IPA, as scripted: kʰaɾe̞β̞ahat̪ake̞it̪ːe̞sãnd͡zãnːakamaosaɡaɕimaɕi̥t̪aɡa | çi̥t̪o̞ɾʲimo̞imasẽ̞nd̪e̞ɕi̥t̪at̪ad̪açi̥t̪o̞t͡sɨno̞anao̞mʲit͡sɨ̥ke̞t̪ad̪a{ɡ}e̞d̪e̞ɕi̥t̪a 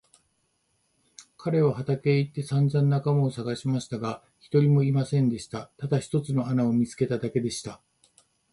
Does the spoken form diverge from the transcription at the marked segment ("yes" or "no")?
yes